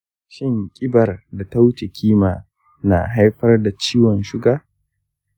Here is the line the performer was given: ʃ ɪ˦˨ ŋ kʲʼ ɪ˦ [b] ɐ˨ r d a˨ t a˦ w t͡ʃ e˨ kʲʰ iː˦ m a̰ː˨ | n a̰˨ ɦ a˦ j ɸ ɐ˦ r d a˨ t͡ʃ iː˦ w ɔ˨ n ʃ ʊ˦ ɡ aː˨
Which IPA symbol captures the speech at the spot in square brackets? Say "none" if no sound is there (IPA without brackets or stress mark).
b